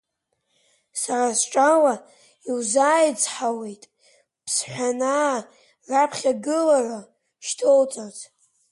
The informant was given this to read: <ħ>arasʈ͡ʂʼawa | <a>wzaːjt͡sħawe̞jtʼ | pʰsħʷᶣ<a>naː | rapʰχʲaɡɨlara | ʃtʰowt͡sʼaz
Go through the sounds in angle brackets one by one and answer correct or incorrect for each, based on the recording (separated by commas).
incorrect, incorrect, correct